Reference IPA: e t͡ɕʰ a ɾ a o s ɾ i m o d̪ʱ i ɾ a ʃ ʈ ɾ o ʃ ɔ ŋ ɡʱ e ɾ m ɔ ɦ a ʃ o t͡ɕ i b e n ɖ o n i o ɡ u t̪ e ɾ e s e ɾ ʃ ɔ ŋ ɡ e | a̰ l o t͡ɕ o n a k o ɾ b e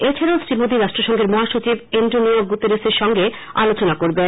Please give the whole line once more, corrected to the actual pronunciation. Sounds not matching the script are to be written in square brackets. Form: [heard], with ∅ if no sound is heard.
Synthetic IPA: e t͡ɕʰ a ɾ a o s ɾ i m o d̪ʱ i ɾ a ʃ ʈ ɾ o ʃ ɔ ŋ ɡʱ e ɾ m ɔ ɦ a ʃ o t͡ɕ i b e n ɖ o n i o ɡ u t̪ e ɾ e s e ɾ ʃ ɔ ŋ ɡ e | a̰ l o t͡ɕ o n a k o ɾ b e